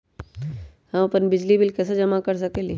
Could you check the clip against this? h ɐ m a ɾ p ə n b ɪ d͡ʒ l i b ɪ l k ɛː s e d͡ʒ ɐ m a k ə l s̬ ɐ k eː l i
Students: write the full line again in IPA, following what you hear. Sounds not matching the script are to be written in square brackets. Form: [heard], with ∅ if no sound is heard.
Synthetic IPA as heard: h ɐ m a [∅] p ə n b ɪ d͡ʒ l i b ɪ l k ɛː s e d͡ʒ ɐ m a k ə [ɾ] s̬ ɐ k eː l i

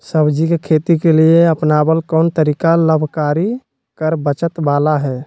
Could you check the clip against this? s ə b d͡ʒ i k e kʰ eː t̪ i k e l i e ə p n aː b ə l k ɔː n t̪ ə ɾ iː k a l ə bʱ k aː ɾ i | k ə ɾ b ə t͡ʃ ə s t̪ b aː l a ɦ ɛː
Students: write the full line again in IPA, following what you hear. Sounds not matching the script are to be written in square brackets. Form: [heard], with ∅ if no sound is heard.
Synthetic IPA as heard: s ə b d͡ʒ i k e kʰ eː t̪ i k e l i e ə p n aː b ə l k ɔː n t̪ ə ɾ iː k a l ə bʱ k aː ɾ i | k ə ɾ b ə t͡ʃ ə [∅] t̪ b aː l a ɦ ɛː

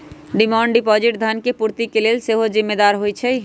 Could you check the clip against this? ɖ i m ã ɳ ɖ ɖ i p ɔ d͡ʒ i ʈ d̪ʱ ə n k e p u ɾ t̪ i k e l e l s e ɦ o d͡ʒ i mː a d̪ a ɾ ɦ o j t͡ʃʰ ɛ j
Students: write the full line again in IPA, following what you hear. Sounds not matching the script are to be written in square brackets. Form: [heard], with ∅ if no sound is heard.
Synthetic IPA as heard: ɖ i m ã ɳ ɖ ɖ i p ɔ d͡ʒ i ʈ d̪ʱ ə n k e p u ɾ t̪ i k e l e l s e ɦ o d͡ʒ i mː [e] d̪ a ɾ ɦ o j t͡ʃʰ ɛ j

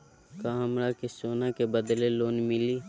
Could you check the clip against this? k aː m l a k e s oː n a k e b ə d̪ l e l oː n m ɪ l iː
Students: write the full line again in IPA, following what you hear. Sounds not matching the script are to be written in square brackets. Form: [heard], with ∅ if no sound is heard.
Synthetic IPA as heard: k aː m [ɾ] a k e s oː n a k e b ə d̪ l e l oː n m ɪ l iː

